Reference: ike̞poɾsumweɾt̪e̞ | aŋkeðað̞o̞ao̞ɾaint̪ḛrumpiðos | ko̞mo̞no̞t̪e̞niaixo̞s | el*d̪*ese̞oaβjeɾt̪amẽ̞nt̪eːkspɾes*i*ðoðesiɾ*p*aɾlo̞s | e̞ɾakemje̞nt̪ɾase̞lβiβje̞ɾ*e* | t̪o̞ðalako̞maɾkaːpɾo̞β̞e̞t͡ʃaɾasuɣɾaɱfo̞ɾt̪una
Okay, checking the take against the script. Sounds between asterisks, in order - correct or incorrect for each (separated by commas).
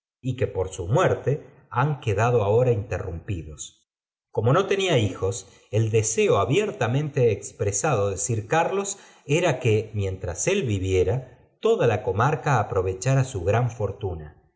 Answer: correct, incorrect, incorrect, incorrect